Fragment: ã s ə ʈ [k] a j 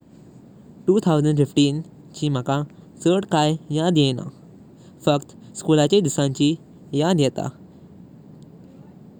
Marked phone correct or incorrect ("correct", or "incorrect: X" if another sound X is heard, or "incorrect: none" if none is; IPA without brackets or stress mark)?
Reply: correct